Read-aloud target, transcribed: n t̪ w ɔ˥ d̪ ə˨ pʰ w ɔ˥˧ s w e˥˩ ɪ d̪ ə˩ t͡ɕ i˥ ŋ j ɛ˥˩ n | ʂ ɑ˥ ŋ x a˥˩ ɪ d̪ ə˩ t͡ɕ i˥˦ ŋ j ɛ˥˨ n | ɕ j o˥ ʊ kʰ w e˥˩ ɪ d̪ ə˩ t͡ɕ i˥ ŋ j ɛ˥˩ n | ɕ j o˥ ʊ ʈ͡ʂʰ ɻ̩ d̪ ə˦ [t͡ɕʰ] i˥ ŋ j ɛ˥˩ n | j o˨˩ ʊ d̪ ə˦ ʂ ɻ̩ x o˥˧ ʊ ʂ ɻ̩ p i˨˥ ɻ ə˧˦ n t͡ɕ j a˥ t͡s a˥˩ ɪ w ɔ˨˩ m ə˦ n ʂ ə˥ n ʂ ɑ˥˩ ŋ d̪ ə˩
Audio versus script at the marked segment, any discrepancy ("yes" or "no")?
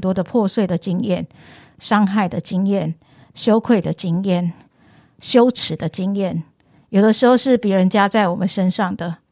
yes